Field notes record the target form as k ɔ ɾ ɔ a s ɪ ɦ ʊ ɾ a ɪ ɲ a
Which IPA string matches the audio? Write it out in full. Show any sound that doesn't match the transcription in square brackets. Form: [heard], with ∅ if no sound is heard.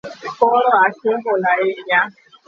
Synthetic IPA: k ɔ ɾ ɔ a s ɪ ɦ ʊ [l] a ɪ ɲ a